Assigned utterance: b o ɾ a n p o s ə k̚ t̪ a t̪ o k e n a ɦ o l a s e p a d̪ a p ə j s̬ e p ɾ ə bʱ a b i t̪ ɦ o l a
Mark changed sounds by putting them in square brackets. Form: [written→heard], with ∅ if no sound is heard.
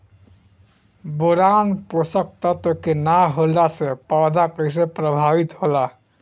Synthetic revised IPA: b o ɾ a n p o s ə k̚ t̪ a t̪ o k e n a ɦ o l a s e p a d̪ a [p→k] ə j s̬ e p ɾ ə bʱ a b i t̪ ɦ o l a